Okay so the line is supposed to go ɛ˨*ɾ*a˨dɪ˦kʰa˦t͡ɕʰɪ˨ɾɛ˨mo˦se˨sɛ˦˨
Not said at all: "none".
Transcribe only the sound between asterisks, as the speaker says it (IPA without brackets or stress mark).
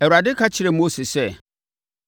ɾ